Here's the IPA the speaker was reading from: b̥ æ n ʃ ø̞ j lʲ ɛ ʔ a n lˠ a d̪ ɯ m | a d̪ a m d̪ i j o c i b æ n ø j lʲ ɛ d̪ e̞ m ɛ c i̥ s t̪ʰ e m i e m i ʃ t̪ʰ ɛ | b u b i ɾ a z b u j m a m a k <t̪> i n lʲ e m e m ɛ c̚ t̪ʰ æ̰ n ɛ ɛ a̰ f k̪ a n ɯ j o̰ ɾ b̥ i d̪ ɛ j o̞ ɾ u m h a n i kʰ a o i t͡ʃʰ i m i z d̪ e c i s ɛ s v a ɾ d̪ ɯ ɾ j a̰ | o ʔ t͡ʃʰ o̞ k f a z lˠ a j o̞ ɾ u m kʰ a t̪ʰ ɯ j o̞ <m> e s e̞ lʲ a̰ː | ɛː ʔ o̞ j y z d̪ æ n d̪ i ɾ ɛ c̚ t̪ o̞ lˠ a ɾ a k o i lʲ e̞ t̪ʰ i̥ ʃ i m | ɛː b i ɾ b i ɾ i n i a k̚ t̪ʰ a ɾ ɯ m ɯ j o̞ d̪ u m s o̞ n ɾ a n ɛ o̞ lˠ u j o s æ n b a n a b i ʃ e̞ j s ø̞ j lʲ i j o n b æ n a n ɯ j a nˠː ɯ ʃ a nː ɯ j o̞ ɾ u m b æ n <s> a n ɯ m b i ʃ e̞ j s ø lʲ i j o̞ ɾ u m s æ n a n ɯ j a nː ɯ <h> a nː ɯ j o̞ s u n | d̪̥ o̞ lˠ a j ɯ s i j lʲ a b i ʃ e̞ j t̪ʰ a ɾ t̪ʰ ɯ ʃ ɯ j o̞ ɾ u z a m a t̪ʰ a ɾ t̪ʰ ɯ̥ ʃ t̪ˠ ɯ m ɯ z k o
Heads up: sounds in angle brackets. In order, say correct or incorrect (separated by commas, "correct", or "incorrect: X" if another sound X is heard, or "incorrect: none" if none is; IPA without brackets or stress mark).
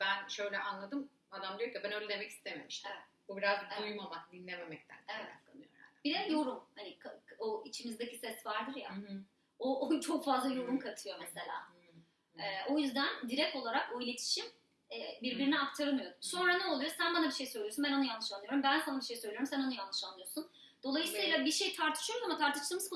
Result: incorrect: d̪, correct, correct, incorrect: ʃ